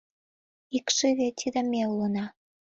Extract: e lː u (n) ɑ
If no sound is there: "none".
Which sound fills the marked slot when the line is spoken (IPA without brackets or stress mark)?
n